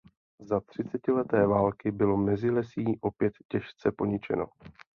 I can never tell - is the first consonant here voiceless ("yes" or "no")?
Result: no